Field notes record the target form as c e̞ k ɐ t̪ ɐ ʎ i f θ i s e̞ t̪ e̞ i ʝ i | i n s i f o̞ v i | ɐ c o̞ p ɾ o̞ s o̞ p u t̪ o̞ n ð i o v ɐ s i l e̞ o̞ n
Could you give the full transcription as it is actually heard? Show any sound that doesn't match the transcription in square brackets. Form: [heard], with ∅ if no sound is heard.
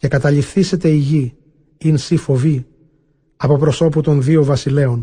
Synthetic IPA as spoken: c e̞ k ɐ t̪ ɐ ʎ i f θ i s e̞ t̪ e̞ i ʝ i | i n s i f o̞ v i | ɐ [p] o̞ p ɾ o̞ s o̞ p u t̪ o̞ n ð i o v ɐ s i l e̞ o̞ n